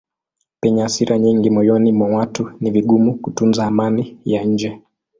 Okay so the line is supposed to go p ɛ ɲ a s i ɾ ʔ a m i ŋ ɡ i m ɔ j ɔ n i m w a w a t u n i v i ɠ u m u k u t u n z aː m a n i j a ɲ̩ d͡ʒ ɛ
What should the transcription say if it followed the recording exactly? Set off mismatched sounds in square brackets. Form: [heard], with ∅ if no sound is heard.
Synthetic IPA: p ɛ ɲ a s i ɾ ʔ a [ɲ] i ŋ ɡ i m ɔ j ɔ n i m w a w a t u n i v i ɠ u m u k u t u n z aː m a n i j a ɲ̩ d͡ʒ ɛ